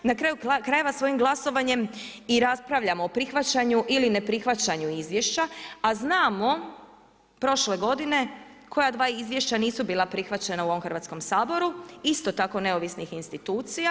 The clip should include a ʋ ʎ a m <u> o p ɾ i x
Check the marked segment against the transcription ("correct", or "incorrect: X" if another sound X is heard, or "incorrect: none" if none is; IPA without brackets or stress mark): incorrect: o